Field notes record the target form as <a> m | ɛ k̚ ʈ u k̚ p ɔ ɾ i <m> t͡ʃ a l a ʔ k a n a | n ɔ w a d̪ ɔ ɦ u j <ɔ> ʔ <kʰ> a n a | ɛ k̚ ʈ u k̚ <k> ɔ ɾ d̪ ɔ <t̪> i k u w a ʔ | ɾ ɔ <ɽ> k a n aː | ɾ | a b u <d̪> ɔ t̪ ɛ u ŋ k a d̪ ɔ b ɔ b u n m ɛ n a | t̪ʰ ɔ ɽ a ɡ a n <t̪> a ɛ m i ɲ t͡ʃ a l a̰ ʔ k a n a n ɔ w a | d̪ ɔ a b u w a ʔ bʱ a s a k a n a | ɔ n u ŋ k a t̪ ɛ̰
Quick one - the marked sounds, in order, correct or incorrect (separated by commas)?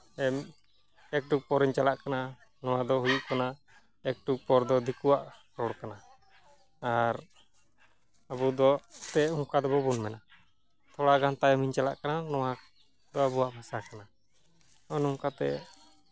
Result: incorrect, incorrect, incorrect, incorrect, incorrect, incorrect, correct, correct, correct